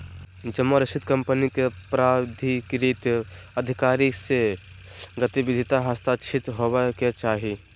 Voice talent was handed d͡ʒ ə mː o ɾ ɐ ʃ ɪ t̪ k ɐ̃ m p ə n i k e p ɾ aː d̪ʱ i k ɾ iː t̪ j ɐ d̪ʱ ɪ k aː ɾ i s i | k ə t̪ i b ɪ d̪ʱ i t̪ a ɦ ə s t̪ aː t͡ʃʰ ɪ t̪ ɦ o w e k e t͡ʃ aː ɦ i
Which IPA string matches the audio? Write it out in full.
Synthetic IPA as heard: d͡ʒ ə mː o ɾ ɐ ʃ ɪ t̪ k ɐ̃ m p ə n i k e p ɾ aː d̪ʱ i k ɾ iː t̪ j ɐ d̪ʱ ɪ k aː ɾ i s e | ɡ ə t̪ i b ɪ d̪ʱ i t̪ a ɦ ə s t̪ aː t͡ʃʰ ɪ t̪ ɦ o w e k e t͡ʃ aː ɦ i